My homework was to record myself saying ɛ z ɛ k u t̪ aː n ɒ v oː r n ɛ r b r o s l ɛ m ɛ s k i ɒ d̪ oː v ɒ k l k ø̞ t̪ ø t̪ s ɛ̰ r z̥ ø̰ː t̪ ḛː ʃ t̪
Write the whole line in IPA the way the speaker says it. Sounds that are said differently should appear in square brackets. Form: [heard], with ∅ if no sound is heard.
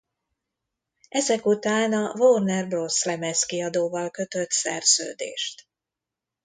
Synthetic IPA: ɛ z ɛ k u t̪ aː n ɒ v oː r n ɛ r b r o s l ɛ m ɛ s k i ɒ d̪ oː v ɒ [∅] l k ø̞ t̪ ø t̪ s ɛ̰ r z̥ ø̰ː [d̪] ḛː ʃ t̪